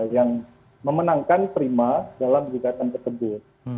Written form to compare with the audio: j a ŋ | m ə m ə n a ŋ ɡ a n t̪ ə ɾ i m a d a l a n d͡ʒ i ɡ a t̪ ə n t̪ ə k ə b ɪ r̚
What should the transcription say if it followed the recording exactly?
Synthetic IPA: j a ŋ | m ə m ə n a ŋ k a n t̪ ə ɾ i m a d a l a m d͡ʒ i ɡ a t̪ a n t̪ ə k ə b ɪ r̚